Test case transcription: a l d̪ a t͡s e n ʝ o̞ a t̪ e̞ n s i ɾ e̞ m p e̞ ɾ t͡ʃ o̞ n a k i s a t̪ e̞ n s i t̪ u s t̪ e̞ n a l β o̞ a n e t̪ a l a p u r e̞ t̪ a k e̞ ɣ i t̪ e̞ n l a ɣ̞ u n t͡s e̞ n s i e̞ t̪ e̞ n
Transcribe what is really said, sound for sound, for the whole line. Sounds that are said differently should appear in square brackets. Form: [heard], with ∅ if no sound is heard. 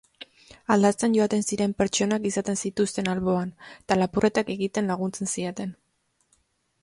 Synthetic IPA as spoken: a l d̪ a t͡s e n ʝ o̞ a t̪ e̞ n s i ɾ e̞ m p e̞ ɾ t͡ʃ o̞ n a k i s a t̪ e̞ n s i t̪ u s t̪ e̞ n a l β o̞ a n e t̪ a l a p u r e̞ t̪ a k e̞ ɣ i t̪ e̞ n l a ɣ̞ u n t͡s e̞ n s i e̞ t̪ e̞ n